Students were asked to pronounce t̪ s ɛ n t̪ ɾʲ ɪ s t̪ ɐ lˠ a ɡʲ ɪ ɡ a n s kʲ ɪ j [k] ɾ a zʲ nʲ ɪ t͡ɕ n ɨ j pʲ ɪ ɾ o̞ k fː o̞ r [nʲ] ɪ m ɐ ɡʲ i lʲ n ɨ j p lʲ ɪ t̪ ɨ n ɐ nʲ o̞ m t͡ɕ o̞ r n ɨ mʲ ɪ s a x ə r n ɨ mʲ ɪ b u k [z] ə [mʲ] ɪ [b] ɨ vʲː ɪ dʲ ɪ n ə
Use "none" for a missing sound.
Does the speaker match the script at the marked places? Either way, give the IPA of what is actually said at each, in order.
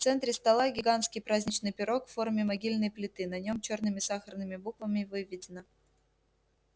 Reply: p, mʲ, v, mʲ, v

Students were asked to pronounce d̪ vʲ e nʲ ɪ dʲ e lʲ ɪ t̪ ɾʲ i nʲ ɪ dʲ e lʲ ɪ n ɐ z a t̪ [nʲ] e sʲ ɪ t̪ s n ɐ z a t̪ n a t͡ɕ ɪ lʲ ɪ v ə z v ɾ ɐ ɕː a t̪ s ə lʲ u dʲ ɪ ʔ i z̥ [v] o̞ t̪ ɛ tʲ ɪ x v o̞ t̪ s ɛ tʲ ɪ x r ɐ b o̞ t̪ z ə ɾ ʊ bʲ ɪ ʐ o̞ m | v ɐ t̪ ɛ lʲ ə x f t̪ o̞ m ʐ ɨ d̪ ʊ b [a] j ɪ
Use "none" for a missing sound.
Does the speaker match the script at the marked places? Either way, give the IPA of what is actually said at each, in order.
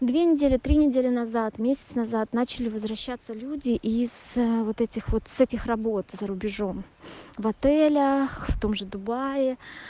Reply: mʲ, v, a

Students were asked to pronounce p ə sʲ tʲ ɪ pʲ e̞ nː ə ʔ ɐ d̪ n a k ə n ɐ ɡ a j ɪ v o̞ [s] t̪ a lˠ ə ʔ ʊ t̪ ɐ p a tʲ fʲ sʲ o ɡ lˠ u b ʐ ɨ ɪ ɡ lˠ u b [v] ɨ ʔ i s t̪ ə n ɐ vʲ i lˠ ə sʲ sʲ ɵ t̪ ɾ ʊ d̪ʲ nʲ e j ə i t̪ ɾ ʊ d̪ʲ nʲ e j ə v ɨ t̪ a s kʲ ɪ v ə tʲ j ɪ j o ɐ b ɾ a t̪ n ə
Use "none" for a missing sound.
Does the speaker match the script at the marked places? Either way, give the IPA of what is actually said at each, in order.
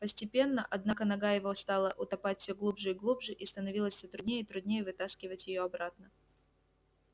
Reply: s, ʐ

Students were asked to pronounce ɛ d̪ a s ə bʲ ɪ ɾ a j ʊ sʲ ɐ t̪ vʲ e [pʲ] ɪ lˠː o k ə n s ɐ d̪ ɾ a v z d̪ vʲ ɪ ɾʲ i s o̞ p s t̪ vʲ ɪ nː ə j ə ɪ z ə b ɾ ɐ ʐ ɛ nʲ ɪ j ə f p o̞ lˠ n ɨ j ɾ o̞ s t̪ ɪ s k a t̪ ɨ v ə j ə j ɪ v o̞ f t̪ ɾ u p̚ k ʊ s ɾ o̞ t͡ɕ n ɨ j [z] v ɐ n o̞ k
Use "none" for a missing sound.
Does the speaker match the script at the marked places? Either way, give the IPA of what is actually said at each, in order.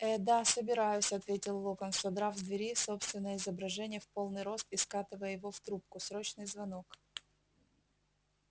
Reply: tʲ, z

